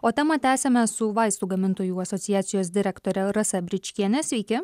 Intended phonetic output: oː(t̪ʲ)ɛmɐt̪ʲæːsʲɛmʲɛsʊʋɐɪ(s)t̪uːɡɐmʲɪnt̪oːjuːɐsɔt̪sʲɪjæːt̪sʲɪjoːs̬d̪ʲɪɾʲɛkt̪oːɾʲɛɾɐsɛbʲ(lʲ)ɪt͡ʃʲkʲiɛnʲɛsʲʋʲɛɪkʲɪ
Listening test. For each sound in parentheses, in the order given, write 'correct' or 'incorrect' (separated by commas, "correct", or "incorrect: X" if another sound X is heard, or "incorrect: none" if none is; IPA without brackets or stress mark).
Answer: correct, correct, incorrect: ɾʲ